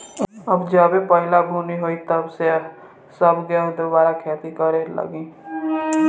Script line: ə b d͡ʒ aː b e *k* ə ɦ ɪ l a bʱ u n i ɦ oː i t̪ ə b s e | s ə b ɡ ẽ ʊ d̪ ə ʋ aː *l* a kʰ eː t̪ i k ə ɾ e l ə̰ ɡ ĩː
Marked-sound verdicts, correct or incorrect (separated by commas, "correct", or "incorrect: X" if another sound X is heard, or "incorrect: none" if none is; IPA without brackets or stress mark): incorrect: p, incorrect: ɾ